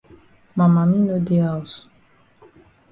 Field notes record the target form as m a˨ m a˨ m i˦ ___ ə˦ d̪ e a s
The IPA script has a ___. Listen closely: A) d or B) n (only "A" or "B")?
B